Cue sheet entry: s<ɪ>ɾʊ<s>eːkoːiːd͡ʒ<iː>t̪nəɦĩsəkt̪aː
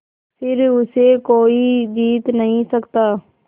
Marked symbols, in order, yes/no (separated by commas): yes, yes, yes